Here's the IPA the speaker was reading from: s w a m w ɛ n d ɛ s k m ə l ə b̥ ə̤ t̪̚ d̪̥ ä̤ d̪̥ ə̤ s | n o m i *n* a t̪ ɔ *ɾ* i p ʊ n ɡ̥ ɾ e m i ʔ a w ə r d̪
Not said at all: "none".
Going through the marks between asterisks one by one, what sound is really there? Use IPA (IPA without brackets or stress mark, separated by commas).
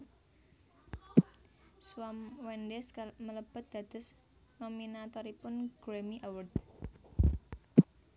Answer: n, ɾ